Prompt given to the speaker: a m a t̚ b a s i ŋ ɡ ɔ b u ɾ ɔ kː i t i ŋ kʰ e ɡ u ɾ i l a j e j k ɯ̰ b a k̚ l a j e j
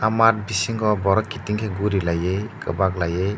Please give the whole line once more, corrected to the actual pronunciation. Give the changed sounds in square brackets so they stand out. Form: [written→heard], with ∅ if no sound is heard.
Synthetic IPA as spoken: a m a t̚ b [a→i] s i ŋ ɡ ɔ b [u→ɔ] ɾ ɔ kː i t i ŋ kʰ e ɡ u ɾ i l a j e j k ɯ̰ b a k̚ l a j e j